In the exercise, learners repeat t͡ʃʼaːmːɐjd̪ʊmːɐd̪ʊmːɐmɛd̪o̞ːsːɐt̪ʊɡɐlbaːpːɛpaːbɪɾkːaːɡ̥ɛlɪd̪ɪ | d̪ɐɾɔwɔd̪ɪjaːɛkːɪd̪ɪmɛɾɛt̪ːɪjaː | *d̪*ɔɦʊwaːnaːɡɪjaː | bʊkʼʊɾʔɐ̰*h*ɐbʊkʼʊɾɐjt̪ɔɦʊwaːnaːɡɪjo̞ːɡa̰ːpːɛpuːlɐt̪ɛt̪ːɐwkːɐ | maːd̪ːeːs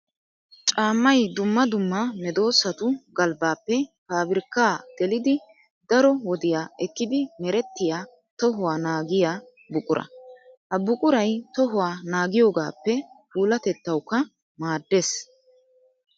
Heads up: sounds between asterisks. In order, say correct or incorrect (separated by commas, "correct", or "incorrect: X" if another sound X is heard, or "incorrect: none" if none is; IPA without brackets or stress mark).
incorrect: t̪, correct